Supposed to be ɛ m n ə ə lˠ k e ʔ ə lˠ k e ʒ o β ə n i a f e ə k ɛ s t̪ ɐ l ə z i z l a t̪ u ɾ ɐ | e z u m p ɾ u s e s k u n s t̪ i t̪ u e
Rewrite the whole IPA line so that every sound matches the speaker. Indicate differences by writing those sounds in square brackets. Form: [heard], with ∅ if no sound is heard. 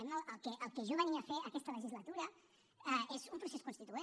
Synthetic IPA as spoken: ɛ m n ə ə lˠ k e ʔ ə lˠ k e ʒ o β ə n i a f e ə k ɛ s t̪ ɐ l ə [ʒ] i z l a t̪ u ɾ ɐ | e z u m p ɾ u s e s k u n s t̪ i t̪ u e